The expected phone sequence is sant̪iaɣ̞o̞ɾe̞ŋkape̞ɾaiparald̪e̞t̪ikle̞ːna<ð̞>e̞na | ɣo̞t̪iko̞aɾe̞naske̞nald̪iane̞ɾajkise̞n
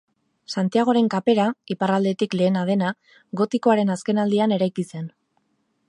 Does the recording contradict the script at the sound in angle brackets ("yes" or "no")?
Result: no